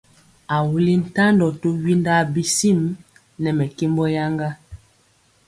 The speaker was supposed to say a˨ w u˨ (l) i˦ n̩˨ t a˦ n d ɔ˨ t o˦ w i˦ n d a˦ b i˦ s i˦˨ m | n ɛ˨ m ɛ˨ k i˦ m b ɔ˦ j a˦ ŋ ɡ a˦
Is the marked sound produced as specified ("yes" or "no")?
yes